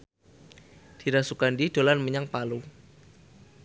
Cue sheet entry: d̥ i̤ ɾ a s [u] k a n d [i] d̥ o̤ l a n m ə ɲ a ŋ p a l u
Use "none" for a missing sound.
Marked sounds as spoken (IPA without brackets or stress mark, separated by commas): u, i